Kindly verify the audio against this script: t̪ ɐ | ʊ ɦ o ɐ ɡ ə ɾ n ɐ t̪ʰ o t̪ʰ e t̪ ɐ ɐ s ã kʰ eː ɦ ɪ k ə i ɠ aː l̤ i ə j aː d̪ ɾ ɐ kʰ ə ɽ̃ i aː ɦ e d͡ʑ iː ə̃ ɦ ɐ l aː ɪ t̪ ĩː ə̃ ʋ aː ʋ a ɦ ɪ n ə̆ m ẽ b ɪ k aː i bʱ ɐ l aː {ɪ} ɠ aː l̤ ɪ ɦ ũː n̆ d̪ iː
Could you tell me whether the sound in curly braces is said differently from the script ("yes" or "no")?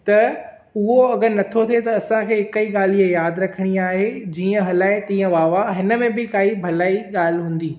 yes